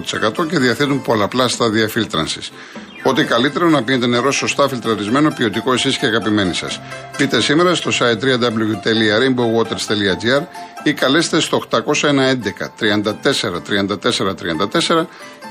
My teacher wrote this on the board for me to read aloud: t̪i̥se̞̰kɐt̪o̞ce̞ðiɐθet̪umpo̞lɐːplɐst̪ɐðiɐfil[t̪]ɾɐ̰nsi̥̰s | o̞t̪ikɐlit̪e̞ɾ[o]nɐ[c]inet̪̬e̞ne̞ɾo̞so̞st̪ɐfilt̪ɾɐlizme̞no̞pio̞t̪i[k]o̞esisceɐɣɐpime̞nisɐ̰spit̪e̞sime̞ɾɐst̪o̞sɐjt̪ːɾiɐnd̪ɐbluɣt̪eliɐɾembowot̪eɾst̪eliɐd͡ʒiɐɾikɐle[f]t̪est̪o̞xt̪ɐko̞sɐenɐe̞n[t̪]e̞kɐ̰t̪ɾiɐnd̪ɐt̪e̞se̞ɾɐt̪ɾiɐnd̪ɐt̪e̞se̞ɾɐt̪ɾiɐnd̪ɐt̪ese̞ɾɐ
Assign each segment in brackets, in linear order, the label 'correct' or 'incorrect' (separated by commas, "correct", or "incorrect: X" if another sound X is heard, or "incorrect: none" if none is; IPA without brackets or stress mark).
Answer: correct, correct, incorrect: p, correct, incorrect: s, incorrect: d̪